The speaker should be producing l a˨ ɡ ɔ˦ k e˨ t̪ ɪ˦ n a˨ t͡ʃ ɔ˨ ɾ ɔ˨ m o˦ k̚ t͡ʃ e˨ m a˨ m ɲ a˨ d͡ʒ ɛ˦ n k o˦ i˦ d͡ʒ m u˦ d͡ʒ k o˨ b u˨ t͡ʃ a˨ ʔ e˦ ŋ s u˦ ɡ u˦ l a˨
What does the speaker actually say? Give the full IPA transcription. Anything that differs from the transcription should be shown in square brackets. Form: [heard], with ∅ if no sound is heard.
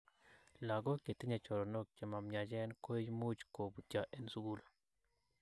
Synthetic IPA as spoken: l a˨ ɡ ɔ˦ k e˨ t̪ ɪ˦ [ɲ] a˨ t͡ʃ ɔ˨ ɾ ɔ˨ [n] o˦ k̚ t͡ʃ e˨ m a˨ m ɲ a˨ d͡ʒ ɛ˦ n k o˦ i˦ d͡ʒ m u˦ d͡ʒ k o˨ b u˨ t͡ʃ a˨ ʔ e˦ [n] s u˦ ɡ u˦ l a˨